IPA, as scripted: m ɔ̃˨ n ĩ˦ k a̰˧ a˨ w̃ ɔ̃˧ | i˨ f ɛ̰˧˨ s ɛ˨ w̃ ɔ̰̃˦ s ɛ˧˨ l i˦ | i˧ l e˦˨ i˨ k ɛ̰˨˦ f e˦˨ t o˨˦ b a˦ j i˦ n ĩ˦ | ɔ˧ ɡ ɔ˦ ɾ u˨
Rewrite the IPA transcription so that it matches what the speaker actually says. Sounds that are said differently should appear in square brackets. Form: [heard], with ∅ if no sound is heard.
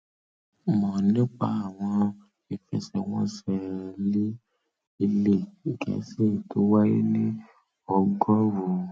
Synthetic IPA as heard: m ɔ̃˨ n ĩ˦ [k͡p] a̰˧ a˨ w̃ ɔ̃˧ | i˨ f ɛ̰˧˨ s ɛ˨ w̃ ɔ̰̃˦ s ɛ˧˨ l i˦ | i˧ l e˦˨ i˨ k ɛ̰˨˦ [s] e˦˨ t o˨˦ [w] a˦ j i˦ n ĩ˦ | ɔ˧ ɡ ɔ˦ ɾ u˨